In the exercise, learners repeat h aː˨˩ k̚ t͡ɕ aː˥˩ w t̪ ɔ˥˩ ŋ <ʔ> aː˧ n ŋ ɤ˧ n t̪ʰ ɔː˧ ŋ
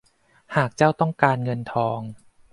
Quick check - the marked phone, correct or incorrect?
incorrect